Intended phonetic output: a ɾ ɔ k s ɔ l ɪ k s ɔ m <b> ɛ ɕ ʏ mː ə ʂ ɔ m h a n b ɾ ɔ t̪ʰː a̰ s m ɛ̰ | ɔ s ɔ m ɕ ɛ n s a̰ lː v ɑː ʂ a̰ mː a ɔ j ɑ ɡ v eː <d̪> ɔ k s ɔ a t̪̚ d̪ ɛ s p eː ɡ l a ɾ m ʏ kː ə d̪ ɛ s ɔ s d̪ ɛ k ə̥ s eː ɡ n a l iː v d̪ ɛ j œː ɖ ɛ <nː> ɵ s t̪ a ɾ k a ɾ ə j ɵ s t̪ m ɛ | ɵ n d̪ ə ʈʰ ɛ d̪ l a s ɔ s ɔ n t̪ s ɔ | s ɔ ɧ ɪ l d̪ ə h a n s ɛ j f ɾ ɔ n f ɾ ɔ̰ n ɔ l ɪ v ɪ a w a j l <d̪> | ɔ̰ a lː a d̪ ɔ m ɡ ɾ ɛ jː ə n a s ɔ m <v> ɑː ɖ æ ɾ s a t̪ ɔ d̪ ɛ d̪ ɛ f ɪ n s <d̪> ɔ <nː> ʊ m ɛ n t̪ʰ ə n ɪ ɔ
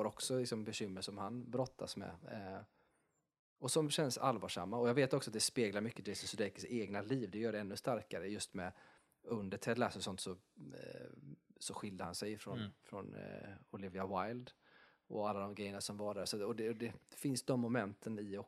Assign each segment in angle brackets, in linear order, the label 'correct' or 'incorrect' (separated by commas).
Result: correct, incorrect, correct, correct, correct, correct, incorrect